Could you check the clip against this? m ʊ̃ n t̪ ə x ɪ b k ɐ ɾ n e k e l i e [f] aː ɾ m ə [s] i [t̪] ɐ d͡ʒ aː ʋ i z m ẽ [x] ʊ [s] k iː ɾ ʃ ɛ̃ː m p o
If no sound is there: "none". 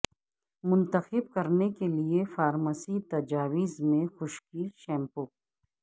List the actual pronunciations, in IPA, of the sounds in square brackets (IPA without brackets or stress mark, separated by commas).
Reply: f, s, t̪, x, ʃ